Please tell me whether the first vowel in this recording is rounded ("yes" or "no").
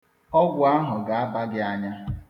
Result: yes